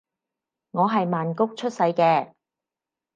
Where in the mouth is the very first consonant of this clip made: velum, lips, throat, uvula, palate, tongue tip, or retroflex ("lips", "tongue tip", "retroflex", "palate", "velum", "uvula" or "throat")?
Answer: velum